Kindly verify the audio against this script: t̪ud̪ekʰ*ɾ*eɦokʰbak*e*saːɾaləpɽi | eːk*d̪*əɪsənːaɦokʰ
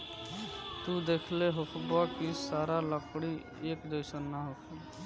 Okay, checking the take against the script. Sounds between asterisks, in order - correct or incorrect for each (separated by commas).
incorrect, incorrect, correct